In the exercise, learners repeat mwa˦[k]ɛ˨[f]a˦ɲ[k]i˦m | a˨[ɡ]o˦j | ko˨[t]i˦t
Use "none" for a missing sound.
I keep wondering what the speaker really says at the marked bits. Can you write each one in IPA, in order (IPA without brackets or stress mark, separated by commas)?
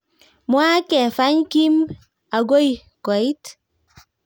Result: k, f, k, ɡ, none